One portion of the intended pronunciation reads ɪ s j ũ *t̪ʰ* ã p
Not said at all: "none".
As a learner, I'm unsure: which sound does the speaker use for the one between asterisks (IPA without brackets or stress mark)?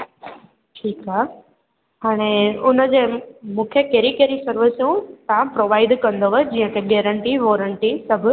t̪